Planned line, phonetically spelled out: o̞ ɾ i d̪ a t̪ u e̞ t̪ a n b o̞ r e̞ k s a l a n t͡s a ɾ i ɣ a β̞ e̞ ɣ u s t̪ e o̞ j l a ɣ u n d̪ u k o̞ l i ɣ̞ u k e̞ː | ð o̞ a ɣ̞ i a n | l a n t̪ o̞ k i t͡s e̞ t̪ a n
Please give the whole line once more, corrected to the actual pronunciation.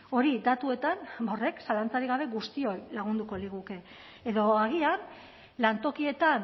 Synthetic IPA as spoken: o̞ ɾ i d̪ a t̪ u e̞ t̪ a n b o̞ r e̞ k s a l a n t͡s a ɾ i ɣ a β̞ e̞ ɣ u s t̪ i o̞ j l a ɣ u n d̪ u k o̞ l i ɣ̞ u k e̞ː | ð o̞ a ɣ̞ i a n | l a n t̪ o̞ k i e̞ t̪ a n